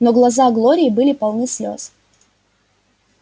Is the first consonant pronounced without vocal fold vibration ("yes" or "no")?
no